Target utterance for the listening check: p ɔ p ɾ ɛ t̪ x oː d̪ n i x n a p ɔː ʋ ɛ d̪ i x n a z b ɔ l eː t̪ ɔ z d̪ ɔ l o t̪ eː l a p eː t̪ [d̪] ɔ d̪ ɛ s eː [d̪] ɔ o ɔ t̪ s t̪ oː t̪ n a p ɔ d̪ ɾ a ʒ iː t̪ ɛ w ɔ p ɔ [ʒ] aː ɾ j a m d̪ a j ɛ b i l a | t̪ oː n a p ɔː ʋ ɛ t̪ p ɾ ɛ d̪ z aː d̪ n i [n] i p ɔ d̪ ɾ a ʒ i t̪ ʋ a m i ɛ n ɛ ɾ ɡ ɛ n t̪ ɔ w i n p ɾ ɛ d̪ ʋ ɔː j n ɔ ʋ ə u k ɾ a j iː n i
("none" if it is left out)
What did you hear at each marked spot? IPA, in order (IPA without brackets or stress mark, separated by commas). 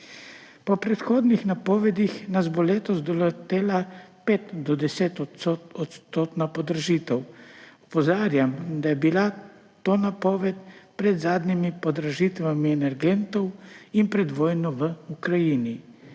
d̪, t̪, z, m